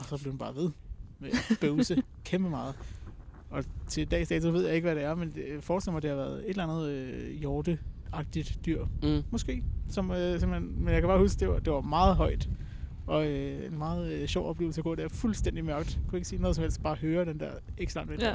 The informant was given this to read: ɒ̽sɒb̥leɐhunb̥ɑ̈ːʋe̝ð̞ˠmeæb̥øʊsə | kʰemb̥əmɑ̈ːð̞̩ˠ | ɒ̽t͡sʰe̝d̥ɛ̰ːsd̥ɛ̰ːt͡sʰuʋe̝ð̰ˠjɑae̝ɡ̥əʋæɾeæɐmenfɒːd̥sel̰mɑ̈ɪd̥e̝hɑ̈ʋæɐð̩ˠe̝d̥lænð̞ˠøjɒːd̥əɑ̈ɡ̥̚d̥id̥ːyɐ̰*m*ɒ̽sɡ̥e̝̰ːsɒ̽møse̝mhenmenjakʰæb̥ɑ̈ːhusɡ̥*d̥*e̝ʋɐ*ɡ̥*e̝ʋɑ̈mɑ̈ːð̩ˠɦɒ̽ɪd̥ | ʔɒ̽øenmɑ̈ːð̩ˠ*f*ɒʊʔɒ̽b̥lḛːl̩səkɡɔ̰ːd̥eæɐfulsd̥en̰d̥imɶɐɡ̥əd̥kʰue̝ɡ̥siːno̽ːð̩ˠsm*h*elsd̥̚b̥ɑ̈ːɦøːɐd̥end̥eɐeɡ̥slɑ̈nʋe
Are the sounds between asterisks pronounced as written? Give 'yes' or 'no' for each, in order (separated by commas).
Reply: yes, yes, no, no, yes